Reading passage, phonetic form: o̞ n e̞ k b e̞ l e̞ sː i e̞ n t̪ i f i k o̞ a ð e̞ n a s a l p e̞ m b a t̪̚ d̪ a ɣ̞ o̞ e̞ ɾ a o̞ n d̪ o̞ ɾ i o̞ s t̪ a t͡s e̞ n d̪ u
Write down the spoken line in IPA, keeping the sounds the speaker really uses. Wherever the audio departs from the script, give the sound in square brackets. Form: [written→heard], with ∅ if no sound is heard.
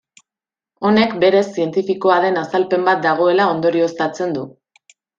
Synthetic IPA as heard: o̞ n e̞ k b e̞ [l→ɾ] e̞ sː i e̞ n t̪ i f i k o̞ a ð e̞ n a s a l p e̞ m b a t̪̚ d̪ a ɣ̞ o̞ e̞ [ɾ→l] a o̞ n d̪ o̞ ɾ i o̞ s t̪ a t͡s e̞ n d̪ u